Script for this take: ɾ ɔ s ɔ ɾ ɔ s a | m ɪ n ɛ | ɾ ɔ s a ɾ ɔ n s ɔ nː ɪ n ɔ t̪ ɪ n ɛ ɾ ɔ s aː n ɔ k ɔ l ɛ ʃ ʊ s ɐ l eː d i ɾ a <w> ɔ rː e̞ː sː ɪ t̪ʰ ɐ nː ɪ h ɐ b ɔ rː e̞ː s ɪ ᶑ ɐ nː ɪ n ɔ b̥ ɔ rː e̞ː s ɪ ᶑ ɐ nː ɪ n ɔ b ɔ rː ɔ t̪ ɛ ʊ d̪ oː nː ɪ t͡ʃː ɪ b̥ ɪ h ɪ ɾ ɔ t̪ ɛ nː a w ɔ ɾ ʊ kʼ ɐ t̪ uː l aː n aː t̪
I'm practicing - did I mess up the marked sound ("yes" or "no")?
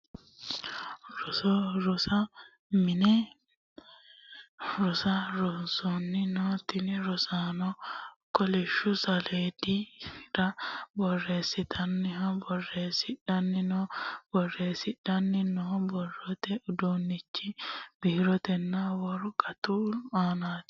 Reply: yes